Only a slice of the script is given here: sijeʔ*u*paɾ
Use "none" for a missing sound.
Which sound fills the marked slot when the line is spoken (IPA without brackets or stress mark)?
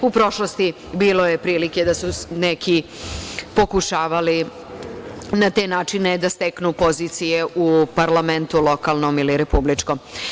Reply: u